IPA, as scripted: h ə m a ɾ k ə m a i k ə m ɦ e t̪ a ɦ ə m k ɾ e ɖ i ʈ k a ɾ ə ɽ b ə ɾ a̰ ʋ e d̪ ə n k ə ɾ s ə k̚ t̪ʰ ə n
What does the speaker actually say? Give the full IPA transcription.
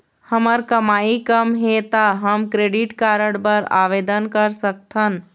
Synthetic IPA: h ə m ə ɾ k ə m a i k ə m ɦ e t̪ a ɦ ə m k ɾ e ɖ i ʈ k a ɾ ə ɽ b ə ɾ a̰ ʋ e d̪ ə n k ə ɾ s ə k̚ t̪ʰ ə n